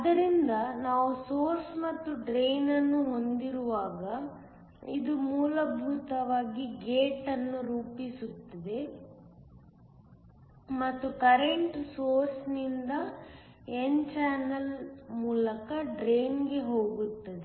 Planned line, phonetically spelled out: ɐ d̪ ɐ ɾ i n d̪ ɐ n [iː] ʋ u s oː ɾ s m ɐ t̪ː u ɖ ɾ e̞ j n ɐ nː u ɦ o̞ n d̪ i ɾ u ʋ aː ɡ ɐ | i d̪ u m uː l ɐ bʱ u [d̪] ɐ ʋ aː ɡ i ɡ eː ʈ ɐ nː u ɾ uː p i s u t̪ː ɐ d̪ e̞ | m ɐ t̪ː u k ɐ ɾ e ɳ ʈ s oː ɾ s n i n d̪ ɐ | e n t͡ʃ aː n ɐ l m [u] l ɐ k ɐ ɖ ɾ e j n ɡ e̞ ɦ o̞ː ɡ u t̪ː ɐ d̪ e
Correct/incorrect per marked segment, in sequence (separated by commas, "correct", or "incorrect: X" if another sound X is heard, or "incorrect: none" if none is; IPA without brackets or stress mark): incorrect: aː, incorrect: t̪, incorrect: uː